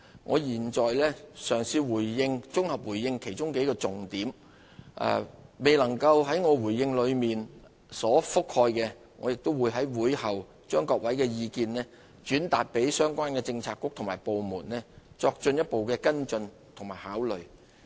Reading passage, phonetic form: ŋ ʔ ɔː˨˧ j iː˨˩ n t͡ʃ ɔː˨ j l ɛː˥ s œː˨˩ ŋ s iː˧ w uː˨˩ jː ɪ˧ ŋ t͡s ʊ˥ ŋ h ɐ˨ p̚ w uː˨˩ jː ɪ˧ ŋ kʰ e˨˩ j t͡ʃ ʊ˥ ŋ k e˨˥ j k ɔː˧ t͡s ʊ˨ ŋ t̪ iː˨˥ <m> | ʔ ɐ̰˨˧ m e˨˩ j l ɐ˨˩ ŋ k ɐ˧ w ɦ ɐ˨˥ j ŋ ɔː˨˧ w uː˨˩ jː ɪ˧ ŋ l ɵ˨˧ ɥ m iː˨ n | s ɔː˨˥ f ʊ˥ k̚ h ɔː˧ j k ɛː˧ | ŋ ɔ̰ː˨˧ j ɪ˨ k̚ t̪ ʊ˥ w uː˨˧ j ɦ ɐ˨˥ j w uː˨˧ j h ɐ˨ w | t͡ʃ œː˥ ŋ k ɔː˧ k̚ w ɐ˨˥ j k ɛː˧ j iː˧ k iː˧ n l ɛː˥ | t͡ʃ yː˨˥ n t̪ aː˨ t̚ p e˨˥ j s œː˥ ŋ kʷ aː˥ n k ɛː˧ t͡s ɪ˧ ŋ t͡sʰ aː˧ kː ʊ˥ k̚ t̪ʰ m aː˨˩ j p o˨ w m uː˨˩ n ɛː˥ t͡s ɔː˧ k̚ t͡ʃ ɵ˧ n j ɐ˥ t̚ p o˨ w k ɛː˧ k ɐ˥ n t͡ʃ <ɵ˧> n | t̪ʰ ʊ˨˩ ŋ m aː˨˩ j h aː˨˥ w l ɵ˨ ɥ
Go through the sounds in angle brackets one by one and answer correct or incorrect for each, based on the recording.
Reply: correct, correct

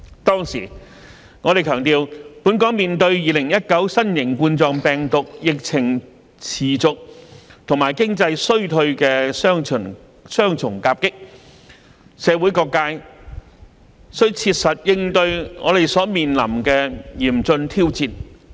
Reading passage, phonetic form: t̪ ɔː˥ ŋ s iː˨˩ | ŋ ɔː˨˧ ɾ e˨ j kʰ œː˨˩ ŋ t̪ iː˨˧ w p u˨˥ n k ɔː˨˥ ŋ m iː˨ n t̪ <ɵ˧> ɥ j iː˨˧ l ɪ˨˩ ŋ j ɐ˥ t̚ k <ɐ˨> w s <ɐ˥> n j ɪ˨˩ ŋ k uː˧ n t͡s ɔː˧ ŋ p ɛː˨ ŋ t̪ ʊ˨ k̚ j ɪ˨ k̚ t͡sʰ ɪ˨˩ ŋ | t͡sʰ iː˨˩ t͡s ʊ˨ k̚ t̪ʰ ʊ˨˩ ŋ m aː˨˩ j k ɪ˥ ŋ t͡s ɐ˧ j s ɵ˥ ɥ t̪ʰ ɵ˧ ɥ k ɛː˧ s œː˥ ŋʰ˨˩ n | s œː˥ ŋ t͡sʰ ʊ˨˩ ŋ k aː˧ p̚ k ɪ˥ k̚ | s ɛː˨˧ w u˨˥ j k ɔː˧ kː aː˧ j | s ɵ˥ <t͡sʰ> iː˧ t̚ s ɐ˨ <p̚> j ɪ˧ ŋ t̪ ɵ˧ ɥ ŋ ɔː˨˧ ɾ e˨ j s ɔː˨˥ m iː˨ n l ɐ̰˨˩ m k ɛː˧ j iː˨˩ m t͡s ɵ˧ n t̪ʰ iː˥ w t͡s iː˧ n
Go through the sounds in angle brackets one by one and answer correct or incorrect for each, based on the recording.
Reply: correct, incorrect, correct, correct, incorrect

